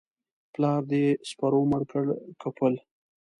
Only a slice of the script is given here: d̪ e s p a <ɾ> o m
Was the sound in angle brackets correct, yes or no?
yes